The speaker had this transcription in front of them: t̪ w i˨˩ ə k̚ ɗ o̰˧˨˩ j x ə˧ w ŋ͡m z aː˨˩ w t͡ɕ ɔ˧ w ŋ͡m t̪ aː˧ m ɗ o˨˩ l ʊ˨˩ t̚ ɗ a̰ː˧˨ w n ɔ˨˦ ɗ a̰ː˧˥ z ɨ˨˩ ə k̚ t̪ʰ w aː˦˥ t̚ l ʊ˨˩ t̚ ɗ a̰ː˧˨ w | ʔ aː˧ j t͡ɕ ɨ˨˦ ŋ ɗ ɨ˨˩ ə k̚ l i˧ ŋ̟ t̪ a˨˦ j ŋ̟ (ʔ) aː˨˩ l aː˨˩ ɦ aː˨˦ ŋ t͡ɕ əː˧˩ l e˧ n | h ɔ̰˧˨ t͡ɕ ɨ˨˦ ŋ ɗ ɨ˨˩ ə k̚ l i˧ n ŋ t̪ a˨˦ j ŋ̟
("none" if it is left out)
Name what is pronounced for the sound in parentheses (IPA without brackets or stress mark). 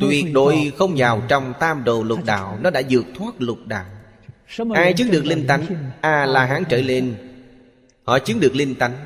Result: ʔ